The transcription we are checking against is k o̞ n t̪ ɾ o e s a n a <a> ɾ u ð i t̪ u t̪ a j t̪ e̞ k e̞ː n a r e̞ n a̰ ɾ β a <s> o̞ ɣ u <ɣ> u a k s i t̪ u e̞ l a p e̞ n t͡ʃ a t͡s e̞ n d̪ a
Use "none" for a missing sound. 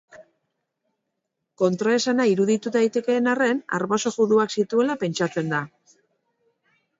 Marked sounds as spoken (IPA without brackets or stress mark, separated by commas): i, s, ð